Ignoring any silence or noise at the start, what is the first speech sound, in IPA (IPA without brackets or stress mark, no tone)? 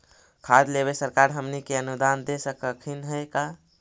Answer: kʰ